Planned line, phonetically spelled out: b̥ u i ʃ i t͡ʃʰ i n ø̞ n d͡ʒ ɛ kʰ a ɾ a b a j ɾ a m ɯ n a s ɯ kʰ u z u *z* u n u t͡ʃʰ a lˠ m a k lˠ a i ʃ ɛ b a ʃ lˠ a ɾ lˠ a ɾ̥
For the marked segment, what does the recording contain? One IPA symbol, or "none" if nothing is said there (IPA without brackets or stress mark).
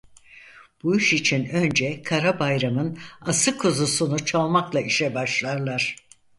s